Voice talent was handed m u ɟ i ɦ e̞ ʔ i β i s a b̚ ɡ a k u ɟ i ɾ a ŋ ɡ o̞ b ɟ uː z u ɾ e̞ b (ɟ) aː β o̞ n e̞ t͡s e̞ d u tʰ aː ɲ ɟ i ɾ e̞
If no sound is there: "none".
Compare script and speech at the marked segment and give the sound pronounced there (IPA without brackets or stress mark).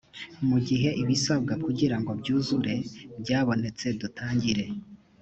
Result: ɟ